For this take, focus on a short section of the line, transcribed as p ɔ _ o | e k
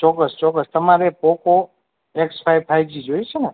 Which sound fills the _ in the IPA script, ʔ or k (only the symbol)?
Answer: k